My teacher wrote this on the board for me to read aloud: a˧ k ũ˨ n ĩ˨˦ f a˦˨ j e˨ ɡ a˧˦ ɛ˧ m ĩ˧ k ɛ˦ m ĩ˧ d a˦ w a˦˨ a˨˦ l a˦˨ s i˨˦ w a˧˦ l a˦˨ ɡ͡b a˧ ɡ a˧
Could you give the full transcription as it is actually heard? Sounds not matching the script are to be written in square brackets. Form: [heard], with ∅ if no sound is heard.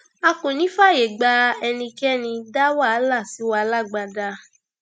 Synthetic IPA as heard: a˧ k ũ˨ n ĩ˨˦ f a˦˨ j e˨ [ɡ͡b] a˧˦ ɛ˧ [n] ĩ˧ k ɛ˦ [n] ĩ˧ d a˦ w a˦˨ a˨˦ l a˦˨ s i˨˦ w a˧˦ l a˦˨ ɡ͡b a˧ [d] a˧